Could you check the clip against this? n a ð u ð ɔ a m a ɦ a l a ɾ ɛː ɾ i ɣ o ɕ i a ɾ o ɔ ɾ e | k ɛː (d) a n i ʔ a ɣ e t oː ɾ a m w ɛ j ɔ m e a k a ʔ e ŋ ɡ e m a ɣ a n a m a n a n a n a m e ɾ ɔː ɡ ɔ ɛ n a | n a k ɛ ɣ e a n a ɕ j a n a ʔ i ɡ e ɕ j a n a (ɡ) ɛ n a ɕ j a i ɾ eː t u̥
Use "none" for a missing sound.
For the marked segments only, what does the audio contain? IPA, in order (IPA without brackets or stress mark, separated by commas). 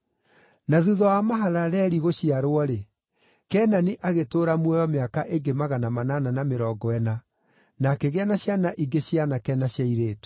n, k